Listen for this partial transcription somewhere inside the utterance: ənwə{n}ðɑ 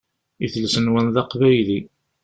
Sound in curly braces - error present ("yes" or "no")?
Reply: no